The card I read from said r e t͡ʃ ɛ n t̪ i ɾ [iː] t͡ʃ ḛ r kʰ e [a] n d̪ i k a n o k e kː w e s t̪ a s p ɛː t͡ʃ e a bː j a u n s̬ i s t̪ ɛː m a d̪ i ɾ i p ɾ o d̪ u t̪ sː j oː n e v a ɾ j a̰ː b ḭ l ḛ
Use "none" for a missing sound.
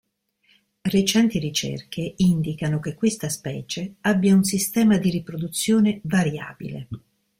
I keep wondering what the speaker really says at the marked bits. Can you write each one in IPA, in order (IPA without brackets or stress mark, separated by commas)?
i, i